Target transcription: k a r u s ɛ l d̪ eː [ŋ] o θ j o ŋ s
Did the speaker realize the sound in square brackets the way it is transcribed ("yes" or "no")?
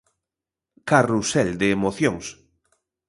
no